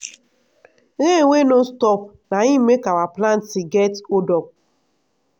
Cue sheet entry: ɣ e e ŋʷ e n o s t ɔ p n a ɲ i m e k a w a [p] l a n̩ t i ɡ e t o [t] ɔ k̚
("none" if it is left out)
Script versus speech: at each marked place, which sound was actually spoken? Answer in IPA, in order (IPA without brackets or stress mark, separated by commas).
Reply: p, d